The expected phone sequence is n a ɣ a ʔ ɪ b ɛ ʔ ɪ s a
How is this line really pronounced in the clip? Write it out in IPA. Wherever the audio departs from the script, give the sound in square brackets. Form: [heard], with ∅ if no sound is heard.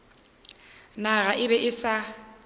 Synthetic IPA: n a ɣ a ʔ ɪ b ɛ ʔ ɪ s a